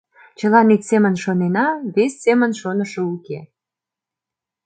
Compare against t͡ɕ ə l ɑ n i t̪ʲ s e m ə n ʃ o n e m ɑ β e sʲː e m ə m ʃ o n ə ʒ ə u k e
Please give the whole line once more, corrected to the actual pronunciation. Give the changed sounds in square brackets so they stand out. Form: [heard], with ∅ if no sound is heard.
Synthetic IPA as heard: t͡ɕ ə l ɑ n i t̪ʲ s e m ə n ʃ o n e [n] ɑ β e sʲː e m ə [n] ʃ o n ə [ʃ] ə u k e